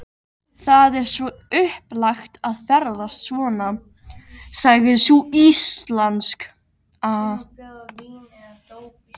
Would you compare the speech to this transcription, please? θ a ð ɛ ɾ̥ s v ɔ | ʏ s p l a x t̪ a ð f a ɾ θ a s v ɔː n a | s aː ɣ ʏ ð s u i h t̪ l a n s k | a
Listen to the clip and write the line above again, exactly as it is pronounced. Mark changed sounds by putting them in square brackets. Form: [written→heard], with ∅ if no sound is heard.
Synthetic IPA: θ a ð ɛ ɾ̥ s v ɔ | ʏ [s→h] p l a x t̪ a ð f [a→ɛ] ɾ [θ→ð] a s v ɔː n a | s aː ɣ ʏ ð s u i [h→s] t̪ l a n s k | a